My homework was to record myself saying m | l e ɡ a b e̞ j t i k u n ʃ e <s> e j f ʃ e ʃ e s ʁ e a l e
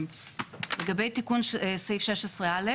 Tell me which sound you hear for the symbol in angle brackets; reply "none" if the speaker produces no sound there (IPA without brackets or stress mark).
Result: s